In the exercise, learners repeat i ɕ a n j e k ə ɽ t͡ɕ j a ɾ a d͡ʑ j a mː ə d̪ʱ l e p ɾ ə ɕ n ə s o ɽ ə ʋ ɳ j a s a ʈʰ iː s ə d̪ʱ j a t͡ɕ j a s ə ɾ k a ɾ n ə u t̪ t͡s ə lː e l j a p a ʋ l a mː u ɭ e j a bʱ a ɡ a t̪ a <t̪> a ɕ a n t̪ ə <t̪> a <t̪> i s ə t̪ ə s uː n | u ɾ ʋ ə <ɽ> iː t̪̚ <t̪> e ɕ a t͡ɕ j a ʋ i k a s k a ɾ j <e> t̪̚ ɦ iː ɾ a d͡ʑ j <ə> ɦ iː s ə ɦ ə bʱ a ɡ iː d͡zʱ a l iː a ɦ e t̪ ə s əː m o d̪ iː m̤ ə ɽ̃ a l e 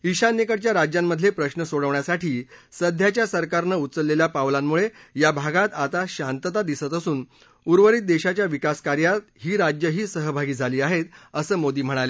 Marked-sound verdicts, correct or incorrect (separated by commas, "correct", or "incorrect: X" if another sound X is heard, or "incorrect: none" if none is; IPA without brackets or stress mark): correct, correct, incorrect: d̪, incorrect: ɾ, incorrect: d̪, incorrect: a, correct